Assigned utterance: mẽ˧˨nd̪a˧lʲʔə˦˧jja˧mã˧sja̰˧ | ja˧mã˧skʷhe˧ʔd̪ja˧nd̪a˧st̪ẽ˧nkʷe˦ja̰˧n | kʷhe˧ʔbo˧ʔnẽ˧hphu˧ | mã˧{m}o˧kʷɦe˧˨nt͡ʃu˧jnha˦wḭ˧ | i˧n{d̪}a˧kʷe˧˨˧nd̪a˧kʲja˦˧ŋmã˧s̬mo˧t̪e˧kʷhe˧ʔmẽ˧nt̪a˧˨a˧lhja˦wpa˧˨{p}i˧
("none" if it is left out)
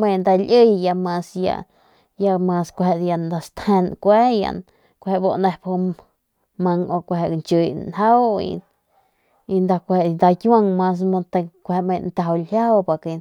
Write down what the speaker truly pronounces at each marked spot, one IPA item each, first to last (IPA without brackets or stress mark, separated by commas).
ŋ, d̪, k